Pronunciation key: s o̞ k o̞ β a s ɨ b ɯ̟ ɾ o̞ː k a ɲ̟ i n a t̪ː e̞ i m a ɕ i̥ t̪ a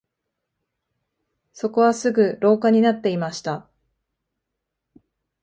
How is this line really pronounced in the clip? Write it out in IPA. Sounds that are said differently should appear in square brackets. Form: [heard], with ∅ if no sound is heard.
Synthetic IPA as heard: s o̞ k o̞ β a s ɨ [ɡ] ɯ̟ ɾ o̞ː k a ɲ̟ i n a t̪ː e̞ i m a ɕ i̥ t̪ a